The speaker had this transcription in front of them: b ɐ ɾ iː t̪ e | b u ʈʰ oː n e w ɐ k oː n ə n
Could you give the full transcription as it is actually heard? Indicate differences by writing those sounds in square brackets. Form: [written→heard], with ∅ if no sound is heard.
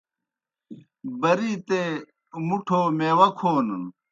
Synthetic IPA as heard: b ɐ ɾ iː t̪ e | [b→m] u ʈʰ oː [n→m] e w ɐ [k→kʰ] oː n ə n